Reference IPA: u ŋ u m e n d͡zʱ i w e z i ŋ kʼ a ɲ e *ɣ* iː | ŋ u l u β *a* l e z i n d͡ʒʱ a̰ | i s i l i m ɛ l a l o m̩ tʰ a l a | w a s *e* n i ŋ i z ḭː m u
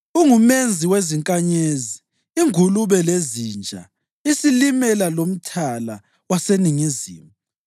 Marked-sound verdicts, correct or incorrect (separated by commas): incorrect, incorrect, correct